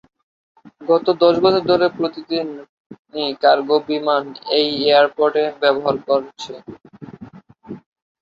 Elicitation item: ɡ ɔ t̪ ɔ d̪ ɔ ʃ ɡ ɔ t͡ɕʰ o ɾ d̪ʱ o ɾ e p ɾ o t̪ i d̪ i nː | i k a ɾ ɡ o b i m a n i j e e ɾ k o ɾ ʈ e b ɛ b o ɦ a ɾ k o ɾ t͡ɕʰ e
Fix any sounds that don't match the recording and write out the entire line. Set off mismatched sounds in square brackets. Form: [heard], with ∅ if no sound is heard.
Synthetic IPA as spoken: ɡ ɔ t̪ [o] d̪ ɔ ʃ ɡ ɔ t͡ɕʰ o ɾ d̪ʱ o ɾ e p ɾ o t̪ i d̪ i nː | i k a ɾ ɡ o b i m a n [e] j e [a] ɾ [p] o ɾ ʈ e b ɛ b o ɦ a ɾ k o ɾ t͡ɕʰ e